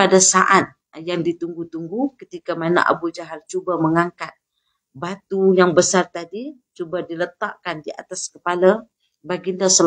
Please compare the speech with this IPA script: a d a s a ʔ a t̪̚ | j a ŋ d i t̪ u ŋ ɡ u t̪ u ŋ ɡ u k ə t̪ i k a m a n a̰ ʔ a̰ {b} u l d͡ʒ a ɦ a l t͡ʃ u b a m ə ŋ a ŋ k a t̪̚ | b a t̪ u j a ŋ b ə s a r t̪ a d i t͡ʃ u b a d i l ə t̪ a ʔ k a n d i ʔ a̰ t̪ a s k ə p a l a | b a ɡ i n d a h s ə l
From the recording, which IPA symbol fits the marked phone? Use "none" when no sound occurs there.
b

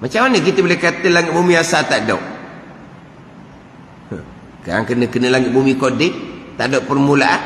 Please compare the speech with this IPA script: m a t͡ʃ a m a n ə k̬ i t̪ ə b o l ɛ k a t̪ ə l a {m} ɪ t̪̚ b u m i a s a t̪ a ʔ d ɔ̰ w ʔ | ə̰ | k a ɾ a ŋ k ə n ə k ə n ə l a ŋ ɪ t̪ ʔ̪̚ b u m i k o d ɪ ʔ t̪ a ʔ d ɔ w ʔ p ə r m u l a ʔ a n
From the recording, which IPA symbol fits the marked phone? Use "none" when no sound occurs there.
ŋ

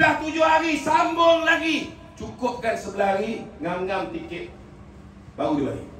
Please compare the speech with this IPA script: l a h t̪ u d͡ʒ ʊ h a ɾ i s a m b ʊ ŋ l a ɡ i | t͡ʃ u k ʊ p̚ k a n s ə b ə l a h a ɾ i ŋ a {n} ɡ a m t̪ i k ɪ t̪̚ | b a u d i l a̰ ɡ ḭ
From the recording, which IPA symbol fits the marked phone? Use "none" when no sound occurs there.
ŋ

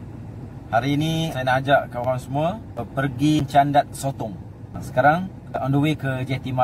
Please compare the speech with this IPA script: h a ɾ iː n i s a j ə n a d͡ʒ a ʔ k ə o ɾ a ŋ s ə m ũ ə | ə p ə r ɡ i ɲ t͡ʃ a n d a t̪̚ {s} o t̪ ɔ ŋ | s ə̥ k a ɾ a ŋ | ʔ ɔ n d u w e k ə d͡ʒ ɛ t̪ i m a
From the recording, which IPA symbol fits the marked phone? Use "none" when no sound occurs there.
s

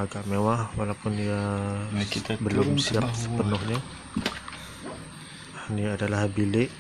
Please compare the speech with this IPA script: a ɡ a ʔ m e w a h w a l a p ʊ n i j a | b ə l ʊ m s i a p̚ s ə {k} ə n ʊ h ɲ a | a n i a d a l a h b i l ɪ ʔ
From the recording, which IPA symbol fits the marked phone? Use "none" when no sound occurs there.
p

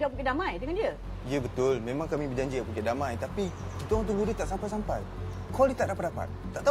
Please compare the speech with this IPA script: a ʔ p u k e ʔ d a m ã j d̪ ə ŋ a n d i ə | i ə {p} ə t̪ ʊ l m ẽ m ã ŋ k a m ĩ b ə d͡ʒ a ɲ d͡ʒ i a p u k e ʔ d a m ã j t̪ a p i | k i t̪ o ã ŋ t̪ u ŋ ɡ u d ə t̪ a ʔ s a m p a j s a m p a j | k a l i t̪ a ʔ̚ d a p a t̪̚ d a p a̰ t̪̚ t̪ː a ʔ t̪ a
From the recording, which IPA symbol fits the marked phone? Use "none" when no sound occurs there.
b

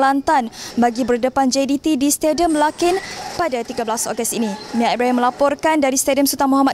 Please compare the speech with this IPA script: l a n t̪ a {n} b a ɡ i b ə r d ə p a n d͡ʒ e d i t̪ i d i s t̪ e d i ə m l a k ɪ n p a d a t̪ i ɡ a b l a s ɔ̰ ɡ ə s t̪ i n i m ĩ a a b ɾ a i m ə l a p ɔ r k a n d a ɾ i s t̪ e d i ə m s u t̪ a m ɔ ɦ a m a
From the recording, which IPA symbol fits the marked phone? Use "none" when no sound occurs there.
n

